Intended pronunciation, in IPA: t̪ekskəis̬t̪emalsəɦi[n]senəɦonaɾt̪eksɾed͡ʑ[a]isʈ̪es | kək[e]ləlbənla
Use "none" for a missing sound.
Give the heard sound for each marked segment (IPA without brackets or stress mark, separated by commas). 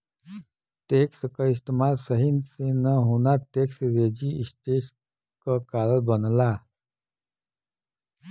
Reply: n, i, a